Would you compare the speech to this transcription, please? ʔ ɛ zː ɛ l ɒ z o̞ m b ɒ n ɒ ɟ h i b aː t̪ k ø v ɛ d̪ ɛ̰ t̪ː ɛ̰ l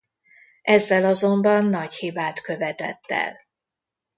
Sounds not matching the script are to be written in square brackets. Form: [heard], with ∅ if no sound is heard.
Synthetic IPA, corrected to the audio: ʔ ɛ zː ɛ l ɒ z o̞ m b ɒ [nː] ɒ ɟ h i b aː t̪ k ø v ɛ [t̪] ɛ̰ t̪ː ɛ̰ l